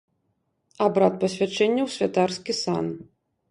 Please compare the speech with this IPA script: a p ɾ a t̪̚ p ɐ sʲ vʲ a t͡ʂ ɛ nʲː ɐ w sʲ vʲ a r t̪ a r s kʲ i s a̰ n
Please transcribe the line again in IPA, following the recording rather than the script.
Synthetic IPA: a b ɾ a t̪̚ p ɐ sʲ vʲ a t͡ʂ ɛ nʲː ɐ w sʲ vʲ a t̪ a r s kʲ i s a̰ n